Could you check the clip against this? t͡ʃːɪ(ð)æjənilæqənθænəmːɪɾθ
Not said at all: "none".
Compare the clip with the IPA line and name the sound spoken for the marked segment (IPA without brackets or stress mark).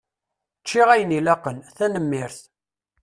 ʁ